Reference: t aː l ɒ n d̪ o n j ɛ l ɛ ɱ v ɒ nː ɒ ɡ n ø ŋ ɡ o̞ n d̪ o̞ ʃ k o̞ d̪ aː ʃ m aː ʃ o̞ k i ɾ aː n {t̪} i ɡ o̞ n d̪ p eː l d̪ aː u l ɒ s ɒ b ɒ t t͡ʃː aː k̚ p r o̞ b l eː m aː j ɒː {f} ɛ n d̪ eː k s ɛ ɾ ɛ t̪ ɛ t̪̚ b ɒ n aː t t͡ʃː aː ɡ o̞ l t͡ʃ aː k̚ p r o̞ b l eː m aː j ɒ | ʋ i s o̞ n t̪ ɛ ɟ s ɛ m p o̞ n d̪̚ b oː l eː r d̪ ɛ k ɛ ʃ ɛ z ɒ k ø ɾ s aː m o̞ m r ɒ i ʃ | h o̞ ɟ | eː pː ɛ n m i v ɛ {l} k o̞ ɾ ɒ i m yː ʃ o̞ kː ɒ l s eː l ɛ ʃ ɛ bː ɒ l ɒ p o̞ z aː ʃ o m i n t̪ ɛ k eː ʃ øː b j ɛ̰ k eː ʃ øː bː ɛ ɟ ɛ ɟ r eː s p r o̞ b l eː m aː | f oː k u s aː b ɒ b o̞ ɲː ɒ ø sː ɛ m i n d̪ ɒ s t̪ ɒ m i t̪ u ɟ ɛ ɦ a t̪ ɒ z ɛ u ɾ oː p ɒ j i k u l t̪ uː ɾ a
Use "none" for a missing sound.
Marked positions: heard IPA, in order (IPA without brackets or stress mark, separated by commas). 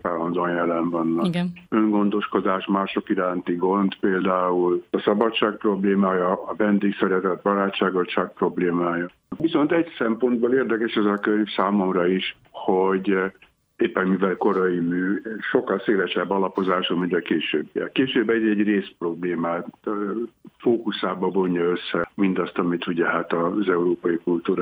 t̪, v, l